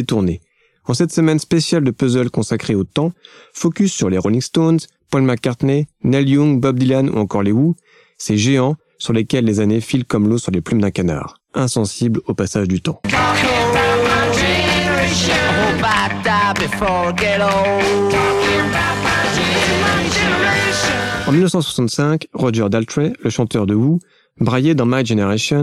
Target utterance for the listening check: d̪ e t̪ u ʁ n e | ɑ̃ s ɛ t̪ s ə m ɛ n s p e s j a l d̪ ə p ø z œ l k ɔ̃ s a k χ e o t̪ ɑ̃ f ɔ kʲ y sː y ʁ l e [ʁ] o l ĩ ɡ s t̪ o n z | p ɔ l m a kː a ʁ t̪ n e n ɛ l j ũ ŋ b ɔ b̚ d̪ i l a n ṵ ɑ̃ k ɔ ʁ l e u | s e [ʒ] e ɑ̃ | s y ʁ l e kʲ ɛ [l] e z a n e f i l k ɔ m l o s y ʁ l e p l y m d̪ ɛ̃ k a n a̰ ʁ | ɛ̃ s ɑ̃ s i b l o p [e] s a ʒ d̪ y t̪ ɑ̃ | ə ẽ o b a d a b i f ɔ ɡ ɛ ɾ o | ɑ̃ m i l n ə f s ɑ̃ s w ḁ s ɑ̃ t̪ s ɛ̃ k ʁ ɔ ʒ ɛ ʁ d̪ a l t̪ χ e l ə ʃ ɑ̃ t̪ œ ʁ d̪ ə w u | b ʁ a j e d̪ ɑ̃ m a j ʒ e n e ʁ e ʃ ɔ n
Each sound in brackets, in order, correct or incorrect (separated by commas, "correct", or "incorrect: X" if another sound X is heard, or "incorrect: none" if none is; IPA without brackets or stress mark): correct, correct, incorrect: lː, incorrect: a